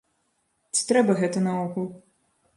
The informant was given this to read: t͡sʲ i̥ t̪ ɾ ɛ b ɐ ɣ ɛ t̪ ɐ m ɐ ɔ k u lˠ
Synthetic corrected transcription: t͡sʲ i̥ t̪ ɾ ɛ b ɐ ɣ ɛ t̪ ɐ n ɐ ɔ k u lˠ